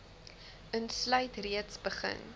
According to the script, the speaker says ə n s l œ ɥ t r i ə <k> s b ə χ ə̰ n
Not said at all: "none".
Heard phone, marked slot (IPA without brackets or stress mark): t